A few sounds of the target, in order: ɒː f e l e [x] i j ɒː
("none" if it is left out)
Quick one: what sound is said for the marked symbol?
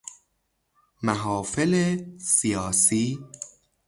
s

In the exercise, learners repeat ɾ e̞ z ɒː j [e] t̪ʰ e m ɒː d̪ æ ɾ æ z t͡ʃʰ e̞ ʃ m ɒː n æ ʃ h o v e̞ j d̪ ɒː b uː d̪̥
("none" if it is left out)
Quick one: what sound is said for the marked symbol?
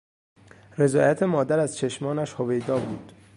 æ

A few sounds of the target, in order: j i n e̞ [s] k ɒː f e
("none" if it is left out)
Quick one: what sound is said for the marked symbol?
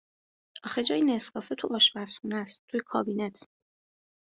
s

